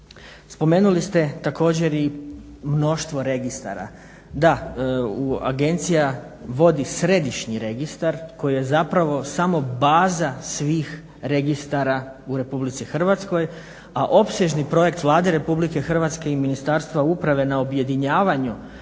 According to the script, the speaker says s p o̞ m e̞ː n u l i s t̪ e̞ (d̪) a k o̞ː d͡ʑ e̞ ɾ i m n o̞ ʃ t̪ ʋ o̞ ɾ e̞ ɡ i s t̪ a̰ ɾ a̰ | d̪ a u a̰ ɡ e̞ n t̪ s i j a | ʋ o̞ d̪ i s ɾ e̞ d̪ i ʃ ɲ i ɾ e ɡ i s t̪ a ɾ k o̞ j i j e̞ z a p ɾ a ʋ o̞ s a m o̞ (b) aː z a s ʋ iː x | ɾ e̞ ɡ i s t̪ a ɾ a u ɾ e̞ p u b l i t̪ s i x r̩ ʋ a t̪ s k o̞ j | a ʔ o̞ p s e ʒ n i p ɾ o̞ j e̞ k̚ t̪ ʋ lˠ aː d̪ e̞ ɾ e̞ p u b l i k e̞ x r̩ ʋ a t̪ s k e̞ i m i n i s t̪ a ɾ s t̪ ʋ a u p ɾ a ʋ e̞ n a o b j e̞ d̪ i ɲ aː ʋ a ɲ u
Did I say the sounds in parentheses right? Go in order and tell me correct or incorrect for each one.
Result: incorrect: t̪, correct

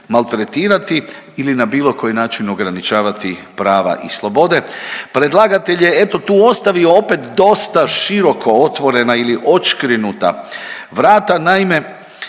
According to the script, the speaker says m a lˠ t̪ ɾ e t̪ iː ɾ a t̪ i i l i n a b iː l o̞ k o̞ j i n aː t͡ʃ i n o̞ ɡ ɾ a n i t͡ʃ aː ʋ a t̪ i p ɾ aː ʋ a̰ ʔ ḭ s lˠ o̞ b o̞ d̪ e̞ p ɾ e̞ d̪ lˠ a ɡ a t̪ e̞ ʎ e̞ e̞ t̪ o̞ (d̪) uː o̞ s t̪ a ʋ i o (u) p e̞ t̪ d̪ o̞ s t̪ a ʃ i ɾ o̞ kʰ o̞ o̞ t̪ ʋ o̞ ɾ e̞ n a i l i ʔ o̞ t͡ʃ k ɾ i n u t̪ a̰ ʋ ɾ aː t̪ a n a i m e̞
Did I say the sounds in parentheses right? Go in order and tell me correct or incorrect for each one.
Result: incorrect: t̪, incorrect: o

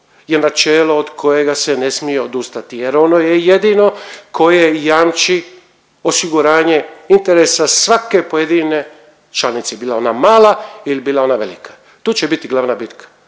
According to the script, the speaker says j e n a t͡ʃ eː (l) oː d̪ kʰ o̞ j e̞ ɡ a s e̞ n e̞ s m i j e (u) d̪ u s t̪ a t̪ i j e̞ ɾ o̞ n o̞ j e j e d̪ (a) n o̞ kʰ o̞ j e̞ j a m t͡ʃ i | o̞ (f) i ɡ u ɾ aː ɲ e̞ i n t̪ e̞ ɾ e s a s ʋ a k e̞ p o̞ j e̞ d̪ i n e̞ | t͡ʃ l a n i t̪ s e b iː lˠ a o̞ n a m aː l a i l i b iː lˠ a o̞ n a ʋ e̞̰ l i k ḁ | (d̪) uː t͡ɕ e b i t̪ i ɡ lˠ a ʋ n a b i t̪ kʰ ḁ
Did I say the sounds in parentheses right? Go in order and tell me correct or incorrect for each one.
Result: correct, incorrect: o, incorrect: i, incorrect: s, incorrect: t̪

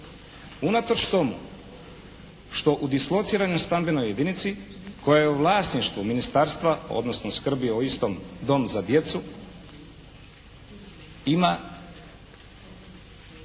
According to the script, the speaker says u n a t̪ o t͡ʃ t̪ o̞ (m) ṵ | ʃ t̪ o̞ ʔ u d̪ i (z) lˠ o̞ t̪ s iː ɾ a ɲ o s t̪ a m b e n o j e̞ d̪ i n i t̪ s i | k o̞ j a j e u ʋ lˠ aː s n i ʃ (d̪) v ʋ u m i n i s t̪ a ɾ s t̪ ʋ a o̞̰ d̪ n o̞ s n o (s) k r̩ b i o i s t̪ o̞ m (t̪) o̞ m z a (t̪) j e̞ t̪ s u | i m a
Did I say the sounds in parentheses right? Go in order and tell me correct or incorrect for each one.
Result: correct, incorrect: s, incorrect: t̪, correct, incorrect: d̪, incorrect: d̪

